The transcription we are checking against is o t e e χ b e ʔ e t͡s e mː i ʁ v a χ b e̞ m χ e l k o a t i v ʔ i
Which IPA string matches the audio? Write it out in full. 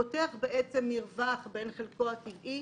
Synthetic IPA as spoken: o t e a χ b e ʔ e t͡s e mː i ʁ v a χ b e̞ n χ e l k o a t i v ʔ i